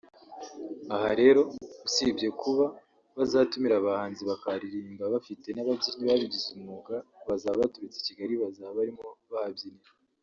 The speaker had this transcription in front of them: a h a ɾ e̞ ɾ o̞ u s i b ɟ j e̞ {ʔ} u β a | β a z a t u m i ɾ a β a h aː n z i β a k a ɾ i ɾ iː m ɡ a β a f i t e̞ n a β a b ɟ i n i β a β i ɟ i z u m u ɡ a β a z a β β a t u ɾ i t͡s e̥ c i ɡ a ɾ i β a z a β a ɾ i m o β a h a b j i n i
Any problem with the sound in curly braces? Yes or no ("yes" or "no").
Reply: yes